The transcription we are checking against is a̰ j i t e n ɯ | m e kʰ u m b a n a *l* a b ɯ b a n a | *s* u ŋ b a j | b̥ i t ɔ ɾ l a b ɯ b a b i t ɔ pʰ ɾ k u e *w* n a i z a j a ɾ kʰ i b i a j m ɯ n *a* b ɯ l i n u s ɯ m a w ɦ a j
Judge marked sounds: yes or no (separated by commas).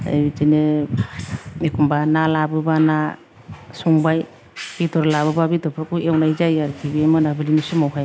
yes, yes, yes, yes